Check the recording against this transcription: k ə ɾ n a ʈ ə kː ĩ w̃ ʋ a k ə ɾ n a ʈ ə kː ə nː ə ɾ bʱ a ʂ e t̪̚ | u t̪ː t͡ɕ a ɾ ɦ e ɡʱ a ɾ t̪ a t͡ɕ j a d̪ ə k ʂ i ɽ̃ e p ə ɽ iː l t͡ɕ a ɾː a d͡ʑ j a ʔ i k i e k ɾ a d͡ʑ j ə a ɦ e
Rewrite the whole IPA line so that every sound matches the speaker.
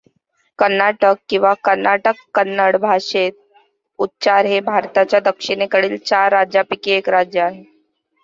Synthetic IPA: k ə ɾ n a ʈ ə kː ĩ w̃ ʋ a k ə ɾ n a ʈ ə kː ə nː ə ɽ bʱ a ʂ e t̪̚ | u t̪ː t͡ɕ a ɾ ɦ e bʱ a ɾ t̪ a t͡ɕ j a d̪ ə k ʂ i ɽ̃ e k ə ɽ iː l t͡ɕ a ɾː a d͡ʑ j a p i k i e k ɾ a d͡ʑ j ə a ɦ e